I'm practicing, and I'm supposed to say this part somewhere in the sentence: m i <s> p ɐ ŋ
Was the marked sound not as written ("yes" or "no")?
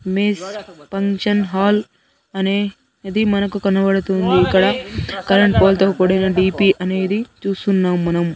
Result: no